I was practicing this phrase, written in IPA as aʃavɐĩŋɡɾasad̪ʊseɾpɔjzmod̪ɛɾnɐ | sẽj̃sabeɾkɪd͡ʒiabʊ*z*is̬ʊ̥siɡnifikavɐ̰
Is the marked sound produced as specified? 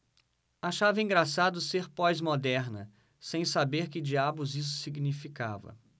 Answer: yes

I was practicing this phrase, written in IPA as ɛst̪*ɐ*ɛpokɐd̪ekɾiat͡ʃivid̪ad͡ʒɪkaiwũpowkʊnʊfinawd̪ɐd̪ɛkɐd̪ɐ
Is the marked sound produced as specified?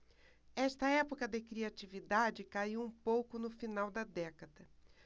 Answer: yes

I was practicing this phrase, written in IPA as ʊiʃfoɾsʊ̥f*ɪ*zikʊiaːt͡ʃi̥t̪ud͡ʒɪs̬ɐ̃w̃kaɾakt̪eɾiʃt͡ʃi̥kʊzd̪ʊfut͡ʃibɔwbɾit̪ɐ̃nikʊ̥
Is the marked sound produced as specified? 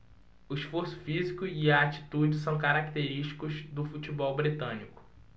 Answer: no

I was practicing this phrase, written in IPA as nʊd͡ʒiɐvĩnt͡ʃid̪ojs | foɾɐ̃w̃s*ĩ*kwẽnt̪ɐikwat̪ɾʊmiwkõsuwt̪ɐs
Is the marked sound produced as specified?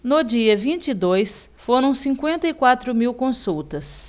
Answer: yes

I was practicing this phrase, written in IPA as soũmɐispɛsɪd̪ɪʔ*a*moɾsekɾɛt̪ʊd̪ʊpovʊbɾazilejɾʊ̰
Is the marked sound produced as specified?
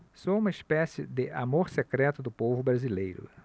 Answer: yes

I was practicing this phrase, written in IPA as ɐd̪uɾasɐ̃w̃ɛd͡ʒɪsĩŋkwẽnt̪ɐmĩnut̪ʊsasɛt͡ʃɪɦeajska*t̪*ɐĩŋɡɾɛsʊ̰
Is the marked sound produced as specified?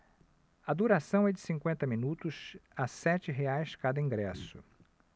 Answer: no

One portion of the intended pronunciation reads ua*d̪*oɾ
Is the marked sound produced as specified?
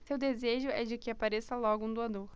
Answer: yes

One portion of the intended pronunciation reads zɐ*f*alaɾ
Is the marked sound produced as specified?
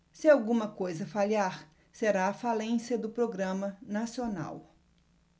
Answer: yes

